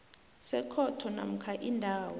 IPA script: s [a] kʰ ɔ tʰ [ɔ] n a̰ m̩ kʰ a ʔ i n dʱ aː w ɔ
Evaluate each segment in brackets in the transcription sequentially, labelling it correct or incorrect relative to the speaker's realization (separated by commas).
incorrect, correct